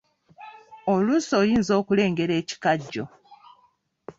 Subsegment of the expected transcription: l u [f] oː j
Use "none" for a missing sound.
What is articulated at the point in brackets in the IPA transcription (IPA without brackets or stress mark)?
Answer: s